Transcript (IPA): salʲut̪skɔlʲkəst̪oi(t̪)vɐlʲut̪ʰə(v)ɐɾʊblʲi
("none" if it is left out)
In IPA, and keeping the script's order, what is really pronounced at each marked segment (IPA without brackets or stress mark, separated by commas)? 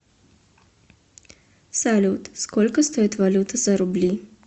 t̪, z